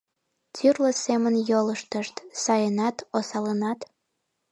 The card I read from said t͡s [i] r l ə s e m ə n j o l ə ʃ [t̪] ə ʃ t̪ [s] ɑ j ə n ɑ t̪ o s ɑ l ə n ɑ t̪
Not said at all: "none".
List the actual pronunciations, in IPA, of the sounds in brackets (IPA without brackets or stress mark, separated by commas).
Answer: y, t̪, s